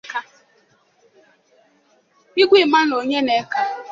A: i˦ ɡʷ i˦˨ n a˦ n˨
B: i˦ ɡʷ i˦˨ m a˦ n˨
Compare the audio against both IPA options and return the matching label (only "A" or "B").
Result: B